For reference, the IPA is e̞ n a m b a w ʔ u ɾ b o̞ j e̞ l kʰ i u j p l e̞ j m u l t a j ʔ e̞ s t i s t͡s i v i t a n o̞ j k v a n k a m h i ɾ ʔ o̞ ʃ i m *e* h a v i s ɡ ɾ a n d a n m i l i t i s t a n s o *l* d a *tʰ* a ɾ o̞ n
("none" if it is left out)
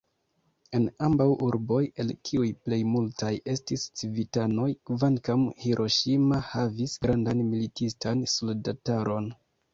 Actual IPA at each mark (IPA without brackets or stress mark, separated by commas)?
a, l, t